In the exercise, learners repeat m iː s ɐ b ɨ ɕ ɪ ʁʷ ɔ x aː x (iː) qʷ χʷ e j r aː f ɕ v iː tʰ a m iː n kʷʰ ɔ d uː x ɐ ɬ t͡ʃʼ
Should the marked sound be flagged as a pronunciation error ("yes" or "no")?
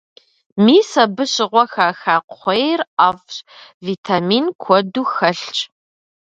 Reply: yes